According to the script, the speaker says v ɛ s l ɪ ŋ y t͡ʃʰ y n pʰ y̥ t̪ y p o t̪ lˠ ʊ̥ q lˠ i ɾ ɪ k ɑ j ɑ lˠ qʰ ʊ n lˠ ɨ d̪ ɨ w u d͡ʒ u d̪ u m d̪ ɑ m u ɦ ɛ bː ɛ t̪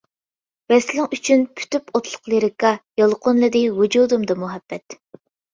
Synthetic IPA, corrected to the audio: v ɛ s l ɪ ŋ y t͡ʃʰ y n pʰ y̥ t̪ y p o t̪ lˠ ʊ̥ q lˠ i ɾ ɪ k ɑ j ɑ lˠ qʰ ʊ n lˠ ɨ d̪ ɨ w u d͡ʒ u d̪ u m d̪ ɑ m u ɦ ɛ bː ɛ t̪